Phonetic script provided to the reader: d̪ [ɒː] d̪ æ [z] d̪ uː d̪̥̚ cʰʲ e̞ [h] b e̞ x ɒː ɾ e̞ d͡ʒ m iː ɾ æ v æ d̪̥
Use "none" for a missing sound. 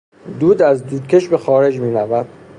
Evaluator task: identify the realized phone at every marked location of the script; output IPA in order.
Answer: uː, z, ʃ

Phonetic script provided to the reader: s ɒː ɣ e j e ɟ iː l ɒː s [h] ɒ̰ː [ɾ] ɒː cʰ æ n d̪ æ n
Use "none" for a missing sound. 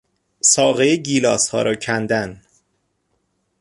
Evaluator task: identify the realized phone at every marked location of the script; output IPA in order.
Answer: h, ɾ

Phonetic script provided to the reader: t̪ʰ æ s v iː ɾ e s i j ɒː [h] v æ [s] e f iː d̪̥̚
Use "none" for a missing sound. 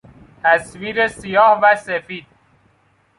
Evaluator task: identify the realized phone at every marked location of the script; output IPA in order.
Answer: h, s

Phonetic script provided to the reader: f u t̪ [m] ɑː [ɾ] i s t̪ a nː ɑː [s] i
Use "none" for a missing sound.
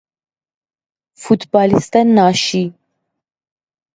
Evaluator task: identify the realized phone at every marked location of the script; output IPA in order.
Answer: b, l, ʃ

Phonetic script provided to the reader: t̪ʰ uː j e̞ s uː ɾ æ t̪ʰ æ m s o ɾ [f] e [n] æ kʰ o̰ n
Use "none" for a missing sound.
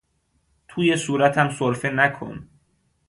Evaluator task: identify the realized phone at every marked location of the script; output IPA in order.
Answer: f, n

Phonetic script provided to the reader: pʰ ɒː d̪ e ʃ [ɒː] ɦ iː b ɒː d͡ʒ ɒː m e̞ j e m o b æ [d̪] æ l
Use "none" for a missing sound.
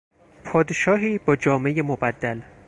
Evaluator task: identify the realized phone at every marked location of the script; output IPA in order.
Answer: ɒː, d̪ː

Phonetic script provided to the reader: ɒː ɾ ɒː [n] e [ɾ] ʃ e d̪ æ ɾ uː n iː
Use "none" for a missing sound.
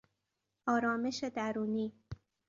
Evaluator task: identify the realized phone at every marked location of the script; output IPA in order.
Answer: m, none

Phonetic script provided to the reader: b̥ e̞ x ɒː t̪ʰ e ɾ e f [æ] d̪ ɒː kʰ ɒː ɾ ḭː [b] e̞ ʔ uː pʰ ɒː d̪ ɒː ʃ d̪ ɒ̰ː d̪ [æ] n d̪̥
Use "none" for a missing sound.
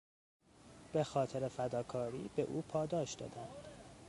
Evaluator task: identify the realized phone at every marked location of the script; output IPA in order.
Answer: æ, b, æ

